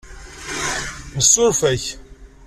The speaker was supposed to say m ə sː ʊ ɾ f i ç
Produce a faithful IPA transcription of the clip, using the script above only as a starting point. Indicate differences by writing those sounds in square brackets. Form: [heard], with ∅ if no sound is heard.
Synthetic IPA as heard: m ə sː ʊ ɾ f [æ] ç